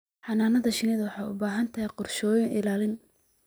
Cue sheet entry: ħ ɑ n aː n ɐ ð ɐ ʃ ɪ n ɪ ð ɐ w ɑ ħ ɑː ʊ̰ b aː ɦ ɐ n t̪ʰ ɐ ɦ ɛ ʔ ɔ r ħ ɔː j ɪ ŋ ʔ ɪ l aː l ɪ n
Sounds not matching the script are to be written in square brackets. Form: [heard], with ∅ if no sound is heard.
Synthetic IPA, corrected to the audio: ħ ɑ n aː n ɐ ð ɐ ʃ ɪ n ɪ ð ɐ w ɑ ħ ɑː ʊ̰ b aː ɦ ɐ n t̪ʰ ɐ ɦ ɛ [q] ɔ r [ʃ] ɔː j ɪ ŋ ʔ ɪ l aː l ɪ n